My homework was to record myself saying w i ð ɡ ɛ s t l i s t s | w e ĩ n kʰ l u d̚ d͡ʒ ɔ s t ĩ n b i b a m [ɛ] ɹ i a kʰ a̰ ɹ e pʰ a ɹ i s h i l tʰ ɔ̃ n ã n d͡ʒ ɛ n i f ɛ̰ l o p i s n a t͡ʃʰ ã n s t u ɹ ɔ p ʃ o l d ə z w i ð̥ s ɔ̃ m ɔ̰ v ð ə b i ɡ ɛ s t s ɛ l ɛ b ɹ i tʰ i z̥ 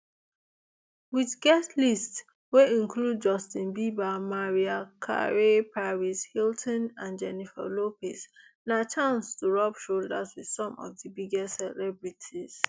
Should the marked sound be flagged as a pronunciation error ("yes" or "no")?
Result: yes